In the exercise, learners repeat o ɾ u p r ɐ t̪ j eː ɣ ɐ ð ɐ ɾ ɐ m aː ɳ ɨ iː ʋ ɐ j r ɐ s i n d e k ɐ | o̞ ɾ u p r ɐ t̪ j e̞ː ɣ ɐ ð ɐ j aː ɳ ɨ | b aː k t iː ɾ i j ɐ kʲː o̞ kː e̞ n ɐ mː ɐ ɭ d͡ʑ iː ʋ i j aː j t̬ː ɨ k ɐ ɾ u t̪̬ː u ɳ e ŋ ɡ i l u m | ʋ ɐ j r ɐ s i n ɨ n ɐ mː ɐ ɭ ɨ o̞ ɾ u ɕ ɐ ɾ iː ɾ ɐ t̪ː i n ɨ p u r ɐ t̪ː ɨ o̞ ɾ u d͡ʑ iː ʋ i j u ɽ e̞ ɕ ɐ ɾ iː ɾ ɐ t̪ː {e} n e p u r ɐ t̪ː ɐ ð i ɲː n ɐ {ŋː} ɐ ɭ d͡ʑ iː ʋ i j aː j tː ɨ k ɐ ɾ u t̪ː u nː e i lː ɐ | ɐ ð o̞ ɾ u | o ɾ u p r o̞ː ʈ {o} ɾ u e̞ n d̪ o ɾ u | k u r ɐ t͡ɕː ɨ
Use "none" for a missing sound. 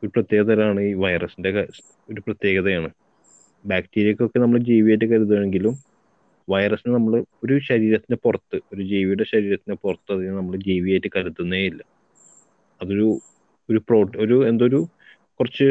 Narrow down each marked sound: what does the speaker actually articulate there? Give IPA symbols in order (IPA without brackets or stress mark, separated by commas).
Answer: i, mː, o